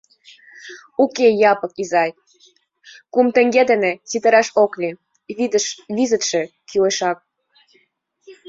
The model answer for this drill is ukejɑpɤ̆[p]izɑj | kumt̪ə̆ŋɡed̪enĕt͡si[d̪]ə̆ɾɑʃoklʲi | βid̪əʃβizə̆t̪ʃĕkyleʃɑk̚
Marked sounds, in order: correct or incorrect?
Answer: incorrect: k, incorrect: t̪

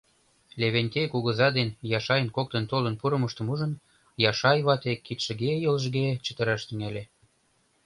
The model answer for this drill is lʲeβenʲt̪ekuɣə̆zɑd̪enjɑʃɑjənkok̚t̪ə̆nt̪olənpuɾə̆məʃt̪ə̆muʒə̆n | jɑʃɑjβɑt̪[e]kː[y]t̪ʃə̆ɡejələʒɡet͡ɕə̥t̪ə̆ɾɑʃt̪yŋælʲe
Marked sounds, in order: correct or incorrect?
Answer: correct, incorrect: i

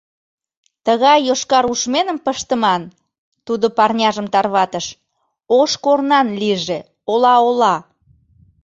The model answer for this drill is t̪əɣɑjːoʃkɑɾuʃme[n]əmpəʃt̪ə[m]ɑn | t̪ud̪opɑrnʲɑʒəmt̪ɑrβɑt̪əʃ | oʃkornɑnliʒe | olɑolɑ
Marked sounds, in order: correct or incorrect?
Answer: correct, correct

